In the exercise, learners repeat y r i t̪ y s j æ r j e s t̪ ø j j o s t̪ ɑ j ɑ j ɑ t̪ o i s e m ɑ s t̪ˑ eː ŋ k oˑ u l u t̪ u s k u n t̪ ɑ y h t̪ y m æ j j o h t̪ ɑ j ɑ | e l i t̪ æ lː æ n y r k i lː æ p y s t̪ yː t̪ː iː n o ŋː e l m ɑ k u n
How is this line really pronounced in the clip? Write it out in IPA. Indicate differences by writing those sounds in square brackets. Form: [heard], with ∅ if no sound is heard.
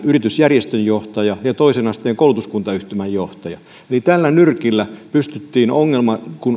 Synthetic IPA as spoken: y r i t̪ y s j æ r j e s t̪ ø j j o [h] t̪ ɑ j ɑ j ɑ t̪ o i s e [n] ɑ s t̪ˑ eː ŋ k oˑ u l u t̪ u s k u n t̪ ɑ y h t̪ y m æ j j o h t̪ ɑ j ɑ | e l i t̪ æ lː æ n y r k i lː æ p y s t̪ [y] t̪ː iː n o ŋː e l m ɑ k u n